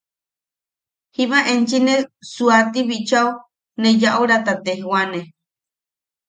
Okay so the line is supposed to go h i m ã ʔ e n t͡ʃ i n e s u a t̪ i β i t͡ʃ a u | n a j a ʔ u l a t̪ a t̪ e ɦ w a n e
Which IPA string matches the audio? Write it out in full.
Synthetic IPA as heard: h i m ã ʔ e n t͡ʃ i n e s u a t̪ i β i t͡ʃ a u | n e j a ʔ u ɾ a t̪ a t̪ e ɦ w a n e

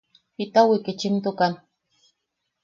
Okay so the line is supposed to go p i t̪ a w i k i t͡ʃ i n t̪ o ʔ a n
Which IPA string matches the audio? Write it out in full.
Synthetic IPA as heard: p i t̪ a w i k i t͡ʃ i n t̪ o k a n

